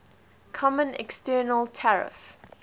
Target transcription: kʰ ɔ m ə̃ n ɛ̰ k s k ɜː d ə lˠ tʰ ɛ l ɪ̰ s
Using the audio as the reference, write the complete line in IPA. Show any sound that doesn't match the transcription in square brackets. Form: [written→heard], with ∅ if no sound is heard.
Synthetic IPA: kʰ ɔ m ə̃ n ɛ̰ k s [k→t] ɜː [d→n] ə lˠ tʰ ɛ [l→ɹ] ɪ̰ [s→f]